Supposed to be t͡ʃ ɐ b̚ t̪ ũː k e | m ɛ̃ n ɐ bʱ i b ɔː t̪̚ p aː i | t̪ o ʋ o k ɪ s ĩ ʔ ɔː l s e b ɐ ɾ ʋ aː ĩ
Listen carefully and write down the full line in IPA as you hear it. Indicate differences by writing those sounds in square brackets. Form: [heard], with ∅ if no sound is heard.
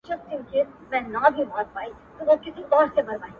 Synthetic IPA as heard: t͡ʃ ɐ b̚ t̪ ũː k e | m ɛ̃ n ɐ bʱ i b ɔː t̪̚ p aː i | t̪ o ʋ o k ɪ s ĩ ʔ ɔː [ɾ] s e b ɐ ɾ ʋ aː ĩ